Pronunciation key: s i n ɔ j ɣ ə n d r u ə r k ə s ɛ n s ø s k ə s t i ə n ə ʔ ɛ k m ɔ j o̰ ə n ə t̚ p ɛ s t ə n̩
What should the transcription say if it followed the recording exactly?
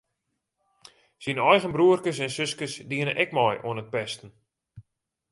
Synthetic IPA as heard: s i n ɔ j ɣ ə n b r u ə r k ə s ɛ n s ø s k ə s d i ə n ə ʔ ɛ k m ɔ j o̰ ə n ə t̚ p ɛ s t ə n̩